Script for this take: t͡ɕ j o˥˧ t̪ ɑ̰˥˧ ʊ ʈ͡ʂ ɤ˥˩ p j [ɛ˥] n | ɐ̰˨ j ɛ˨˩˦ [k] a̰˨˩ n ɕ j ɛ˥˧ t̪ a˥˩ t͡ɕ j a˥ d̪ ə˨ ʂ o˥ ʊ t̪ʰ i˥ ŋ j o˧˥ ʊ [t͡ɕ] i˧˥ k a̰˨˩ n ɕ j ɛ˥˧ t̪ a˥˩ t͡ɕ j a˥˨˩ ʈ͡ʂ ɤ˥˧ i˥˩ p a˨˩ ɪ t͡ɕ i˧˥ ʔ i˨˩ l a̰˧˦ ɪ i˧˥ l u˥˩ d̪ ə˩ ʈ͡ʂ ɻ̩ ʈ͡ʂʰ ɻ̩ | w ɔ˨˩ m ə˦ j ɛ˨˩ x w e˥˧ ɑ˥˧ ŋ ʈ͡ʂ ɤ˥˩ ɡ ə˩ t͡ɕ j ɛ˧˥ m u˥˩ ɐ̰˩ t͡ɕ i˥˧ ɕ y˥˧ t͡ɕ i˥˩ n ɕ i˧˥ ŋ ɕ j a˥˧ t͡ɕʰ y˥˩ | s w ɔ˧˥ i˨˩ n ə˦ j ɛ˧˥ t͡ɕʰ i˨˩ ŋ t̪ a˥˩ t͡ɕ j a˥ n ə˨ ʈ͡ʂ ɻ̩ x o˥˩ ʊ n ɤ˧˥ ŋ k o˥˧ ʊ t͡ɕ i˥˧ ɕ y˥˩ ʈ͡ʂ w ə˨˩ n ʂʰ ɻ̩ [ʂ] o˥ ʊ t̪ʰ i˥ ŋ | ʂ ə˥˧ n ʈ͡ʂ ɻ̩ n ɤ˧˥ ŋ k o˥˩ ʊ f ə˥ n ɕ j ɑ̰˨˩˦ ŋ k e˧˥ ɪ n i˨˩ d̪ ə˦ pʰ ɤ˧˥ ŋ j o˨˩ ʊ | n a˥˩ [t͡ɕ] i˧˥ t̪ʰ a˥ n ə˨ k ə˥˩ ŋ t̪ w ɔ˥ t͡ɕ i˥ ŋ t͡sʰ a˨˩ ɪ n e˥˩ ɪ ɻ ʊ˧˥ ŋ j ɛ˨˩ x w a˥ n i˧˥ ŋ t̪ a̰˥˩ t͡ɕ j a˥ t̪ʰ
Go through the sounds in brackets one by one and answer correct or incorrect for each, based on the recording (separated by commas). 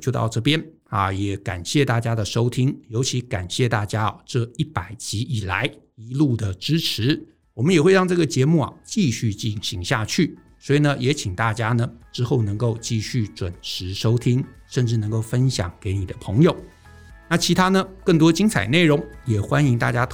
correct, correct, incorrect, correct, incorrect